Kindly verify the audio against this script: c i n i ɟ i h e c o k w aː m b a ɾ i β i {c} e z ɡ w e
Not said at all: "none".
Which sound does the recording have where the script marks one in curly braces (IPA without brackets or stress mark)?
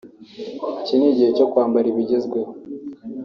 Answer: ɟ